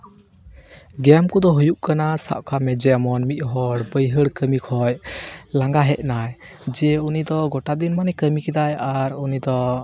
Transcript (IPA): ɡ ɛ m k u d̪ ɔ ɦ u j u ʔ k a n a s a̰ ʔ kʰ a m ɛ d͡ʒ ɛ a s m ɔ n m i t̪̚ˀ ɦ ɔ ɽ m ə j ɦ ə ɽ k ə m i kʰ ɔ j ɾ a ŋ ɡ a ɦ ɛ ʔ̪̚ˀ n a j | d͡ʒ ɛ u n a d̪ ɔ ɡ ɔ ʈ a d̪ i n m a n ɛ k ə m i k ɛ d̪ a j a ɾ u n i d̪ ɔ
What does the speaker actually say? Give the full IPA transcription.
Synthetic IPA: ɡ ɛ m k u d̪ ɔ ɦ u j u ʔ k a n a s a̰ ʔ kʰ a m ɛ d͡ʒ ɛ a m ɔ n m i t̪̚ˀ ɦ ɔ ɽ b ə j ɦ ə ɽ k ə m i kʰ ɔ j l a ŋ ɡ a ɦ ɛ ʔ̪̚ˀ n a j | d͡ʒ ɛ u n i d̪ ɔ ɡ ɔ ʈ a d̪ i n m a n ɛ k ə m i k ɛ d̪ a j a ɾ u n i d̪ ɔ